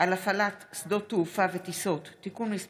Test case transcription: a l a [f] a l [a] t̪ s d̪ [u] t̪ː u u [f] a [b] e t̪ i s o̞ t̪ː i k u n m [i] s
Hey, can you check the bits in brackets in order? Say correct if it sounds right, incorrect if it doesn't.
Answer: correct, correct, incorrect: o, correct, incorrect: v, correct

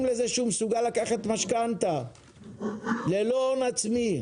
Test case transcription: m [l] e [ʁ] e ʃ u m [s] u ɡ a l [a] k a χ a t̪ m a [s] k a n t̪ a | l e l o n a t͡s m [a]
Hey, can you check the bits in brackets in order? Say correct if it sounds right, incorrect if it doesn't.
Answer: correct, incorrect: z, correct, correct, incorrect: ʃ, incorrect: i

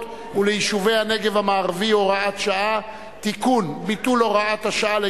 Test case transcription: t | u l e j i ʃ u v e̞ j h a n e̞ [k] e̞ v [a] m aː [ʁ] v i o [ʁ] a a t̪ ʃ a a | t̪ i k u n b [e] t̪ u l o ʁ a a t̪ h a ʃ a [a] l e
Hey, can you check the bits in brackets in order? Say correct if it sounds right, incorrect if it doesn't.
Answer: incorrect: ɡ, correct, correct, correct, incorrect: i, correct

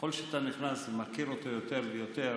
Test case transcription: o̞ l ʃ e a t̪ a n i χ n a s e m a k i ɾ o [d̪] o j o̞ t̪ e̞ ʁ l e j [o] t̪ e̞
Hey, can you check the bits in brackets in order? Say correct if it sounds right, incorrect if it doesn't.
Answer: incorrect: t̪, correct

